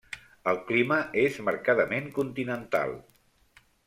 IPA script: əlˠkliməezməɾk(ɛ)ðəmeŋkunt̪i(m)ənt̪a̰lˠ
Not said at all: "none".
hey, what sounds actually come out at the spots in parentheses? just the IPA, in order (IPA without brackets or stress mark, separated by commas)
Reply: a, n